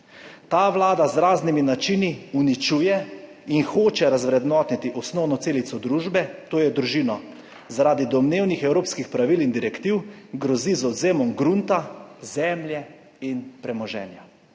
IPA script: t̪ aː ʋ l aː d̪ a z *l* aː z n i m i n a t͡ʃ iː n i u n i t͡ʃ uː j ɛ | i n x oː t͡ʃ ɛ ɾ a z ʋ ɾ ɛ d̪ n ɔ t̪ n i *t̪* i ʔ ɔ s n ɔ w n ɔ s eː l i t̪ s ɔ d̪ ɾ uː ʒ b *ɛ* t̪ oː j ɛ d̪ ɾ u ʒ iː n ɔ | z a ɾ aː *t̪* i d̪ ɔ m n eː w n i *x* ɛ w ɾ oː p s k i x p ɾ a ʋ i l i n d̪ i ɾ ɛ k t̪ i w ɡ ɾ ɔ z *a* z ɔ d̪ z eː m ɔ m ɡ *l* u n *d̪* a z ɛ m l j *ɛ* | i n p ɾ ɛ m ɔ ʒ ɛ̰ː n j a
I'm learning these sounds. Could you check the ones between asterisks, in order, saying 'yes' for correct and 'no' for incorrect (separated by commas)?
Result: no, yes, yes, no, yes, no, no, no, yes